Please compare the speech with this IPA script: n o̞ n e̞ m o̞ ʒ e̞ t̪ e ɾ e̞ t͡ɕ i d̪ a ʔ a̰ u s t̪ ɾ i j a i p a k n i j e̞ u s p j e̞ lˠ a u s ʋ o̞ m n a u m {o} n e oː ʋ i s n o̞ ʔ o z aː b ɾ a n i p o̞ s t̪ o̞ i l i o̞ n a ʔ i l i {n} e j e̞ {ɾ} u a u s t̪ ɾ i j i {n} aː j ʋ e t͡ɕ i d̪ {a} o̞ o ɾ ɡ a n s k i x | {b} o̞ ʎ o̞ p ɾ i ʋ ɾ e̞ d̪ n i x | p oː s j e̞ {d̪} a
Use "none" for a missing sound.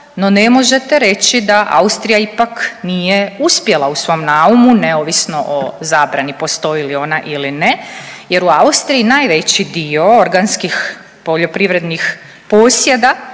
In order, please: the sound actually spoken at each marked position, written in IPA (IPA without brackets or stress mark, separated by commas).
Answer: u, n, ɾ, n, i, p, d̪